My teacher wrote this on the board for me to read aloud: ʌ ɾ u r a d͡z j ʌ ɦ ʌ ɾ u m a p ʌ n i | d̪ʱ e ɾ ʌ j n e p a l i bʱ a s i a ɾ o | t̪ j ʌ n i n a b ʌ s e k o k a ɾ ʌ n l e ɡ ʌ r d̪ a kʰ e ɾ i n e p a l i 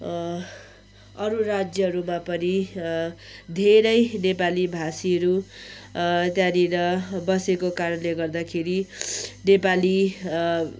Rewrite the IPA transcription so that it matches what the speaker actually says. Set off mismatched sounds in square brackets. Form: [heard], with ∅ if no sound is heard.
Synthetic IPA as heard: ʌ ɾ u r a d͡z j ʌ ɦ ʌ ɾ u m a p ʌ n i | d̪ʱ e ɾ ʌ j n e p a l i bʱ a s i [ʌ] ɾ [u] | t̪ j [a] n i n [ʌ] b ʌ s e k o k a ɾ ʌ n l e ɡ ʌ r d̪ a kʰ e ɾ i n e p a l i